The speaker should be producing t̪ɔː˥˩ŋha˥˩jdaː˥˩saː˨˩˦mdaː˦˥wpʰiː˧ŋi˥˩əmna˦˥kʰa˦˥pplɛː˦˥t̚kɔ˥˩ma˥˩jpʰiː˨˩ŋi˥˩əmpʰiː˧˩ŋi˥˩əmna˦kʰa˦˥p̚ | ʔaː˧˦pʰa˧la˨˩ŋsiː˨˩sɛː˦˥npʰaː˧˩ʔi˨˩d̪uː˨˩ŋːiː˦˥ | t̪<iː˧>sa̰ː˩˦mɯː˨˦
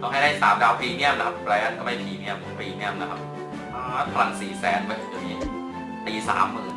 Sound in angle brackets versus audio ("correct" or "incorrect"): correct